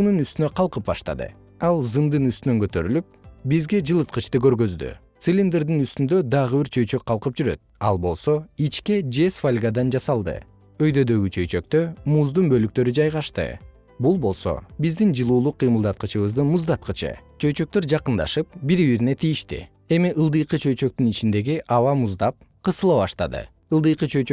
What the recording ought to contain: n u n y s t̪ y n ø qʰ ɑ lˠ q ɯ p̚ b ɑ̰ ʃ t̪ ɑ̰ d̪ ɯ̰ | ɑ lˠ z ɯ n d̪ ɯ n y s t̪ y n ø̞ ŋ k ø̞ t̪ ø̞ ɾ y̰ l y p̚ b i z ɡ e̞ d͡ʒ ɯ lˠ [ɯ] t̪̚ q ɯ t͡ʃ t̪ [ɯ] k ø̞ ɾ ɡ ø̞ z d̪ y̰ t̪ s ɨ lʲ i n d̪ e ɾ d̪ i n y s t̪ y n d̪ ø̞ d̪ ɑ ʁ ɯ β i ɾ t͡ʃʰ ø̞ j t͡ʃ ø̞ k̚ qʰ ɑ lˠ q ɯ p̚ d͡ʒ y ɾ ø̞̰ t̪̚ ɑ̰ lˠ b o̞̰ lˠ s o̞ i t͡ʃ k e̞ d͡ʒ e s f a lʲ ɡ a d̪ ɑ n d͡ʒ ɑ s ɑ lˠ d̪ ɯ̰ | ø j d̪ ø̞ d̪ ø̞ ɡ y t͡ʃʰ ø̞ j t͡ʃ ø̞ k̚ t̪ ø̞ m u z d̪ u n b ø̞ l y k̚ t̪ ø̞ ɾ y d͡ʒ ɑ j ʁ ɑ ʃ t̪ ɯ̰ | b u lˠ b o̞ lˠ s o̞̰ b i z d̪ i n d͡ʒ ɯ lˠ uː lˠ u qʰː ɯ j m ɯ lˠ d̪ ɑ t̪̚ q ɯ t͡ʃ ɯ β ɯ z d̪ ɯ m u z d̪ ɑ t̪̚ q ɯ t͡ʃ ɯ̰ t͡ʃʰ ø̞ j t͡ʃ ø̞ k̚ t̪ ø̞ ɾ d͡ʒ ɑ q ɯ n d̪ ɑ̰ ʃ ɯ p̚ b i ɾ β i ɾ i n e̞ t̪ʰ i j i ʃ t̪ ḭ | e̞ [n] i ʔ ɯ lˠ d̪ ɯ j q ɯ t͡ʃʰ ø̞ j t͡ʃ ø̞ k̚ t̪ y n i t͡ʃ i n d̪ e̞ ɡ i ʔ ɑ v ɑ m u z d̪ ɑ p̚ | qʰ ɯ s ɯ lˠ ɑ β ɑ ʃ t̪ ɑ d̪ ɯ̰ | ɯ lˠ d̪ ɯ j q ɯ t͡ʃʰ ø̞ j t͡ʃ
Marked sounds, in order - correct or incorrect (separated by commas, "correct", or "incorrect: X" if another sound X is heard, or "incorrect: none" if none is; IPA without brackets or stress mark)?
correct, correct, incorrect: m